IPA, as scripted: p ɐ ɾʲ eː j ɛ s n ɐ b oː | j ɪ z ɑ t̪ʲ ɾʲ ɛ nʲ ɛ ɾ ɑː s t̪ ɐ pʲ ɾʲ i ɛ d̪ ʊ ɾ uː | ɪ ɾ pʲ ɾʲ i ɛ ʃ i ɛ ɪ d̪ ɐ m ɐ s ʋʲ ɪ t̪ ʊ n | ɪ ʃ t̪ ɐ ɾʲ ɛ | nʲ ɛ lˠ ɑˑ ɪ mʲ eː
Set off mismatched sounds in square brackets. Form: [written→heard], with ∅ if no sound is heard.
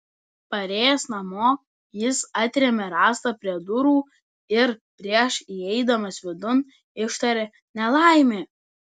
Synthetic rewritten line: p ɐ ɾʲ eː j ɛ s n ɐ [b→m] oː | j ɪ [z→s] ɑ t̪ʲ ɾʲ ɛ [nʲ→mʲ] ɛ ɾ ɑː s t̪ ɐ pʲ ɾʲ i ɛ d̪ ʊ ɾ uː | ɪ ɾ pʲ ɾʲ i ɛ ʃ i ɛ ɪ d̪ ɐ m ɐ s ʋʲ ɪ [t̪→d̪] ʊ n | ɪ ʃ t̪ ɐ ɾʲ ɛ | nʲ ɛ lˠ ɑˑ ɪ mʲ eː